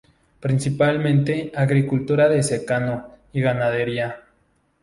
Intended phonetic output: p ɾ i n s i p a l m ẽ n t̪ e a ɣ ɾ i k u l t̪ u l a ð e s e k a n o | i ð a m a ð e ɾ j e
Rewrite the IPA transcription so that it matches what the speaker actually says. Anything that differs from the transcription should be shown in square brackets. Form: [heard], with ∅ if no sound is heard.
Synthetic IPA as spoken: p ɾ i n s i p a l m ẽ n t̪ e a ɣ ɾ i k u l t̪ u [ɾ] a ð e s e k a n o | i [ɣ] a [n] a ð e ɾ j [a]